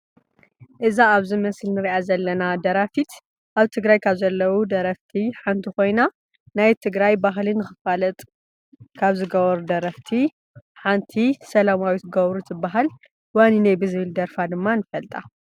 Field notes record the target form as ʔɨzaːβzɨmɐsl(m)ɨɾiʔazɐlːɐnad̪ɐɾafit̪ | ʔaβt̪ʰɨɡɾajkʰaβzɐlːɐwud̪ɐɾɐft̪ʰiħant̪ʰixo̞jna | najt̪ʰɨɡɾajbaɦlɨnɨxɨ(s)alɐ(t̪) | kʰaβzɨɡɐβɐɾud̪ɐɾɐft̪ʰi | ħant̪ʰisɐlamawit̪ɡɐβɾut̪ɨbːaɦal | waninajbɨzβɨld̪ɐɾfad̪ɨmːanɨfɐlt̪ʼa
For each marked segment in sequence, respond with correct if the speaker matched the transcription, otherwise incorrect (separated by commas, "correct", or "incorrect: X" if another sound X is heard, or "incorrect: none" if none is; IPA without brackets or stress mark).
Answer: incorrect: n, incorrect: f, incorrect: t̪ʼ